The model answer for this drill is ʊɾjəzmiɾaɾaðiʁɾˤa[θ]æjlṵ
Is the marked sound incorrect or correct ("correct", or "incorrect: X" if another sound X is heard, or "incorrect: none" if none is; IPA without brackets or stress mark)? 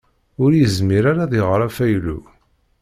incorrect: f